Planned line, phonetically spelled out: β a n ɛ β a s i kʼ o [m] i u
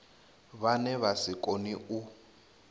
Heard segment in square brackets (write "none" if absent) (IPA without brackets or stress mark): n